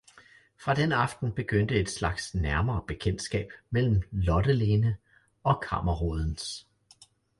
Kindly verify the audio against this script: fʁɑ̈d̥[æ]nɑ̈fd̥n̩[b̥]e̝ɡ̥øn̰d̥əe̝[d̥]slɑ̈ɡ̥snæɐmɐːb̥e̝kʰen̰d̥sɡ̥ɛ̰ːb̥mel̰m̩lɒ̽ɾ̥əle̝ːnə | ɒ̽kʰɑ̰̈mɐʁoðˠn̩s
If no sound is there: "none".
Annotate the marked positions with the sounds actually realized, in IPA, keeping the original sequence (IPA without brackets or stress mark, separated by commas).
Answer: e, b̥, d̥